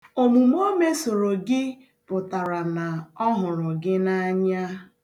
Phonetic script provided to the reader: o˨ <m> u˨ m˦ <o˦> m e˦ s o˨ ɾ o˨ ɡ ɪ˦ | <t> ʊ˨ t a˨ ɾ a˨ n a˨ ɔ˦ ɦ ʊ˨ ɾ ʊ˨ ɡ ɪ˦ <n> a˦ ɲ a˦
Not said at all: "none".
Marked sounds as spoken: m, o˦, p, n

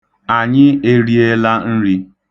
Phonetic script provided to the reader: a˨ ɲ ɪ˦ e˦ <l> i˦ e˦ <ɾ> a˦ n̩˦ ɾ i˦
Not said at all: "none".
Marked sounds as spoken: ɾ, l

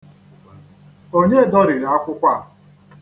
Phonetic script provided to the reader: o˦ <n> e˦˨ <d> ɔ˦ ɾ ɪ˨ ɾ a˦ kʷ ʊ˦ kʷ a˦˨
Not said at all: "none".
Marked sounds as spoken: ɲ, d

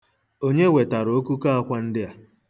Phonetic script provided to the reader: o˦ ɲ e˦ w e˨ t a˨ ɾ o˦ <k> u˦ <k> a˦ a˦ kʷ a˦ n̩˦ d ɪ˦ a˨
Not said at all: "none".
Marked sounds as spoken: k, k

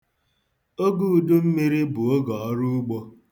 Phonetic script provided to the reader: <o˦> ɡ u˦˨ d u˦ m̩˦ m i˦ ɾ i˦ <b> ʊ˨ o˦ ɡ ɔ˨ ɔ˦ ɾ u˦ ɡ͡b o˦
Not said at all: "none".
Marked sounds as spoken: o˦, b

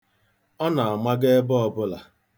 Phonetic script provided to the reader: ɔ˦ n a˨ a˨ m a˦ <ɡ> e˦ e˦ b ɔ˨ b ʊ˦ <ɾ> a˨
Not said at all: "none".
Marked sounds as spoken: ɡ, l

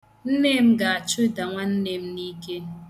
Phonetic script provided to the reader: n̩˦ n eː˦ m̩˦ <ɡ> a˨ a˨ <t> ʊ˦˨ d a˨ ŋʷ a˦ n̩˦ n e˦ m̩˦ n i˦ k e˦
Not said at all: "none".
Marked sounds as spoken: ɡ, t͡ʃ

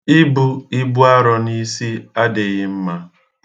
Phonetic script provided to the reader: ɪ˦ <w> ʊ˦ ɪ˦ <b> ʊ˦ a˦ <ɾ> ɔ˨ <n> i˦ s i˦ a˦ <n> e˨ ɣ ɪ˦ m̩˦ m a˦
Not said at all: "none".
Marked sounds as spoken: b, b, ɾ, n, d

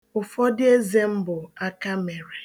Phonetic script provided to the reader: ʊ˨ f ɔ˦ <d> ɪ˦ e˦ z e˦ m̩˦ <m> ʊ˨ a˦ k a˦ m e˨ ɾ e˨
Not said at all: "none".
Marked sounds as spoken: d, b

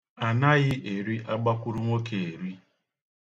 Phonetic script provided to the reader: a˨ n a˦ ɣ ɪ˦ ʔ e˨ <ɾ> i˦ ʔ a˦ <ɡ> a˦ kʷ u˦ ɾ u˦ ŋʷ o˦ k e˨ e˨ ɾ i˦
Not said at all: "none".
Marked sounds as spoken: ɾ, ɡ͡b

